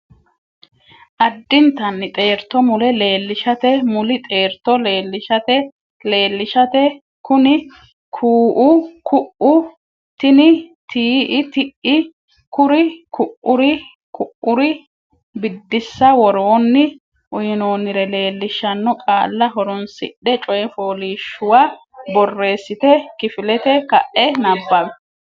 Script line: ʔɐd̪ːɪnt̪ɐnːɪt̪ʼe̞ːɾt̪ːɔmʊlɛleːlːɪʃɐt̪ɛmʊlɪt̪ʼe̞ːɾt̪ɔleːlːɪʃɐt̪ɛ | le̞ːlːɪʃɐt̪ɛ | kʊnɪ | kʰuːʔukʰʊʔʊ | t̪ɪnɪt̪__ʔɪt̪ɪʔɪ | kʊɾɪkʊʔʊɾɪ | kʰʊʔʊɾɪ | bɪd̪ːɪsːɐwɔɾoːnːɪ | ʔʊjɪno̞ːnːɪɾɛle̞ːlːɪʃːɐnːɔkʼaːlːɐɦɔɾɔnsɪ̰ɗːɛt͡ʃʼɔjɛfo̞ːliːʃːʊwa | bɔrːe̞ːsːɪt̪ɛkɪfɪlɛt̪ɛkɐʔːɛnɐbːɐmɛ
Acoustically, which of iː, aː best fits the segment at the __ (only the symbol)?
iː